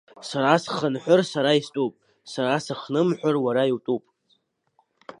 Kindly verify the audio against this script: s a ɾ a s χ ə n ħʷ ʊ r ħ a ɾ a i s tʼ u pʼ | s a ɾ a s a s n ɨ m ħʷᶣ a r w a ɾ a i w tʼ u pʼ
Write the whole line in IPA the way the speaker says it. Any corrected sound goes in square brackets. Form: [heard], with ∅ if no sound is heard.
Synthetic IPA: s a ɾ a s χ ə n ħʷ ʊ r [s] a ɾ a i s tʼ u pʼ | s a ɾ a s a [χ] n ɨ m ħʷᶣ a r w a ɾ a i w tʼ u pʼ

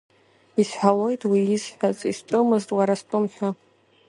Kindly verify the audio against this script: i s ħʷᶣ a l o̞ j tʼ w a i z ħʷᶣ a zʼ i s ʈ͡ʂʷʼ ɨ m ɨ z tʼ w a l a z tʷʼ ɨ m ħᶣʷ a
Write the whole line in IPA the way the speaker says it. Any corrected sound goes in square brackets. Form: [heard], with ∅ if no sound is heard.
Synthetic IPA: i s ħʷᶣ a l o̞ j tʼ w [i] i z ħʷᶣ a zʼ i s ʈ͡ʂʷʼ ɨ m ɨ z tʼ w a [ɾ] a [s] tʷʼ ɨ m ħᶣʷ a

